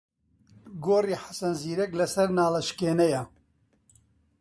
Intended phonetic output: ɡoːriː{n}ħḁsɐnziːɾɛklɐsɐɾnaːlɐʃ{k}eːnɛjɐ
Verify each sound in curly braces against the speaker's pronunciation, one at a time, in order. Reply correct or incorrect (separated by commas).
incorrect, correct